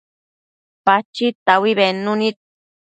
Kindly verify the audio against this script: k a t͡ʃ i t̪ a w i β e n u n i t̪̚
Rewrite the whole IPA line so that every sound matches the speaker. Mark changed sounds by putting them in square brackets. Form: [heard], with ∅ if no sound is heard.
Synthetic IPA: [p] a t͡ʃ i t̪ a w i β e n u n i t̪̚